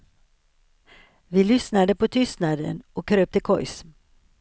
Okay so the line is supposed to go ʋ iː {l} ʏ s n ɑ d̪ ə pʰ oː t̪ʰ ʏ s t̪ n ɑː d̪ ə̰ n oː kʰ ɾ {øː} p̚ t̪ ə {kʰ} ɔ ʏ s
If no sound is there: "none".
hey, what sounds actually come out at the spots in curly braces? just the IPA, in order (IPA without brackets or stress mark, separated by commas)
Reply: l, øː, kʰ